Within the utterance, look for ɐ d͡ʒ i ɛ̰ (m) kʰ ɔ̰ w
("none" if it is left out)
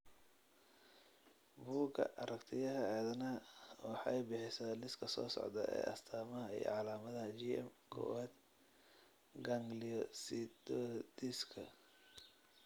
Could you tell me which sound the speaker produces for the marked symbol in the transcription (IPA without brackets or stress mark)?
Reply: m